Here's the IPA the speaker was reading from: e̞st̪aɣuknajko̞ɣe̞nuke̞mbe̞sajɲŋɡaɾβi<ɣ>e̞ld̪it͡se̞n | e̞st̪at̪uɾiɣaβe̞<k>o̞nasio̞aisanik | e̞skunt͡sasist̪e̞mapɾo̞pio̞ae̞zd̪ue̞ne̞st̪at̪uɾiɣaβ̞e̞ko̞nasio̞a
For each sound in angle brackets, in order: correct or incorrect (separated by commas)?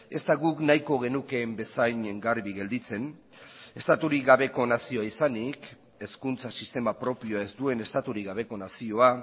correct, correct